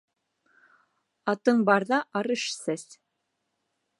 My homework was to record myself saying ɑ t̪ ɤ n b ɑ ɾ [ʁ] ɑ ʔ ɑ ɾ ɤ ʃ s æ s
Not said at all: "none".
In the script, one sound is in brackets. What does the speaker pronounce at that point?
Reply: ð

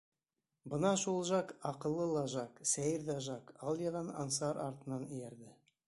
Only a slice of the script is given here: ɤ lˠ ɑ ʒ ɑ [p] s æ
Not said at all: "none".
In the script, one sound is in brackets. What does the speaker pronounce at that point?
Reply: k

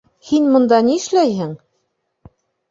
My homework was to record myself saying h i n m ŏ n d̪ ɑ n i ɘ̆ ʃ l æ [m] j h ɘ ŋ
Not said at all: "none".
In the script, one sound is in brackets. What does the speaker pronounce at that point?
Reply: none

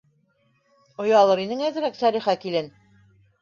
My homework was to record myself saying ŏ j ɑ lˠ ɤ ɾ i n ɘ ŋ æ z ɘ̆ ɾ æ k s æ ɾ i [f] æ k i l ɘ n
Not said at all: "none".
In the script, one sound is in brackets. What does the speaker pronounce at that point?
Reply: χ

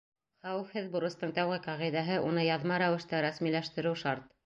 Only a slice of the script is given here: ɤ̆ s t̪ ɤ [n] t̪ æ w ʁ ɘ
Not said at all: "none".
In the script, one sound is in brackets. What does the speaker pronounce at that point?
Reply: ɴ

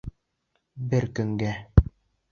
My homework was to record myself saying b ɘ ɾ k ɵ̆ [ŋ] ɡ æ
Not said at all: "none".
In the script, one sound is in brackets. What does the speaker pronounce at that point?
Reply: ŋ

